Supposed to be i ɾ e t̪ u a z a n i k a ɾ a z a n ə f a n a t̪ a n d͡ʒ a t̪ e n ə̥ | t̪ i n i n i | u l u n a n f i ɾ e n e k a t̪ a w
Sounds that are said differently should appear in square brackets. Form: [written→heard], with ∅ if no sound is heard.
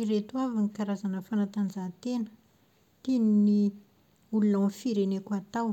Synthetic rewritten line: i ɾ e t̪ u a [z→v] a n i k a ɾ a z a n ə f a n a t̪ a n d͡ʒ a t̪ e n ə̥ | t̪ i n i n i | u l u n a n f i ɾ e n e k a t̪ a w